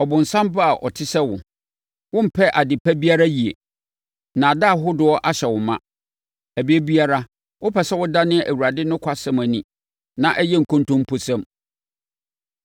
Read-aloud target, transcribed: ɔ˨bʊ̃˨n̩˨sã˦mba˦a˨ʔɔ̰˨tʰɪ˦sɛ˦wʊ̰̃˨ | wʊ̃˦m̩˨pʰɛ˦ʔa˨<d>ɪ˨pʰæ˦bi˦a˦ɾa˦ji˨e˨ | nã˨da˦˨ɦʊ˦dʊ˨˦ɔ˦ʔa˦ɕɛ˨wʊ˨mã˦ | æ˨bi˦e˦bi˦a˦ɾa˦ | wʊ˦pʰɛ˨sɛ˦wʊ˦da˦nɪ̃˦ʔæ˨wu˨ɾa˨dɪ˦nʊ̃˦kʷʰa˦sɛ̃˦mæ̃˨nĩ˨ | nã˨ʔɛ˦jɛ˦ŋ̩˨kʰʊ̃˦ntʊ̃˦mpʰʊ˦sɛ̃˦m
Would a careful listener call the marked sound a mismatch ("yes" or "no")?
no